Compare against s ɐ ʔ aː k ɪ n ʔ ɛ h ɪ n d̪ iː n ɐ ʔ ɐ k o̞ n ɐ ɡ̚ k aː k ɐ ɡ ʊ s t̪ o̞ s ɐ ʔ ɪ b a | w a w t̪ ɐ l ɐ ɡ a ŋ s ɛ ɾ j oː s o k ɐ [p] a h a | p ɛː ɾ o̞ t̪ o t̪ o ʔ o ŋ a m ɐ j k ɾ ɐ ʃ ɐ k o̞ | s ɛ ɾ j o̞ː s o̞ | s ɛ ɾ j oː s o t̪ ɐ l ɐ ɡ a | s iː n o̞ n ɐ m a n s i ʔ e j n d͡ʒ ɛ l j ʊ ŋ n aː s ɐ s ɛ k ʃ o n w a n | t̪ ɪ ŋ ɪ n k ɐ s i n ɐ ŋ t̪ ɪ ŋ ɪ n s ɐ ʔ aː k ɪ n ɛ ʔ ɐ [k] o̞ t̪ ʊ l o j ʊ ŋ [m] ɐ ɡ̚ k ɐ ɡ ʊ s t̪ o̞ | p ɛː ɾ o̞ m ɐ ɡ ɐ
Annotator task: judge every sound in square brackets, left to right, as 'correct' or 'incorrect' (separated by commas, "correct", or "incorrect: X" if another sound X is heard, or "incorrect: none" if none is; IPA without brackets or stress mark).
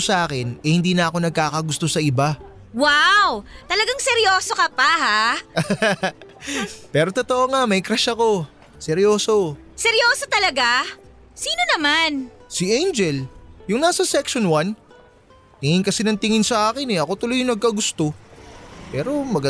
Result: correct, correct, incorrect: n